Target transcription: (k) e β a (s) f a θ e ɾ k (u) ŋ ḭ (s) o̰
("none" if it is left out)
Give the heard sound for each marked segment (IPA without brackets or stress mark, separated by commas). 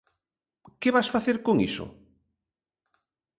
k, s, o, s